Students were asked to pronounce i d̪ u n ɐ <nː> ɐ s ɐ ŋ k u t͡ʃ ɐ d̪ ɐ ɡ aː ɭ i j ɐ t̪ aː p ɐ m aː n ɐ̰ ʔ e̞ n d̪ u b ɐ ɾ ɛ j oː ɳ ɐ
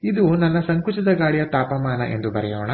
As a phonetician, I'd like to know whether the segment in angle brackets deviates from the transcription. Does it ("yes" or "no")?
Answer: no